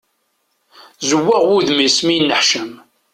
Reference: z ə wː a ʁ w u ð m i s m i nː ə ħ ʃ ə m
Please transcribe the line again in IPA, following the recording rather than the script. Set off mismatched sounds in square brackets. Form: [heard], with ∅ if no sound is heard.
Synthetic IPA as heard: z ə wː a ʁ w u ð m i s m i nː ə ħ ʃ ə m